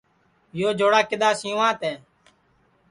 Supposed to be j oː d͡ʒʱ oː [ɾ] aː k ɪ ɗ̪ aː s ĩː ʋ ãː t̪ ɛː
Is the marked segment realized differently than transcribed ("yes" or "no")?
yes